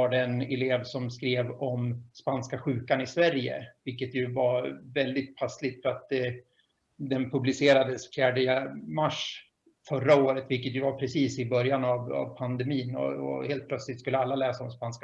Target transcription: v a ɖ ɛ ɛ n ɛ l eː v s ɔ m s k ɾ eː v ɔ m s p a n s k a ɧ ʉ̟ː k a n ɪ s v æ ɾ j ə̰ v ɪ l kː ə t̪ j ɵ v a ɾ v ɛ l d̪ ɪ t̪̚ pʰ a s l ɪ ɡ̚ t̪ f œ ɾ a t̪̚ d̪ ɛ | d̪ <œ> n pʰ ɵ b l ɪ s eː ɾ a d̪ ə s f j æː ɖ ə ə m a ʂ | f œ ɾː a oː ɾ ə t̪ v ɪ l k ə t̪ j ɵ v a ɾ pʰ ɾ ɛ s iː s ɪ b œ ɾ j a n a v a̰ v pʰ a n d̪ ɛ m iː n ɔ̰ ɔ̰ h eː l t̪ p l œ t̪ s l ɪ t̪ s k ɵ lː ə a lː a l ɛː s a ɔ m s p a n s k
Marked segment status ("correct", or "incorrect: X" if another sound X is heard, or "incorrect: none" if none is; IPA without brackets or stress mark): incorrect: ɛ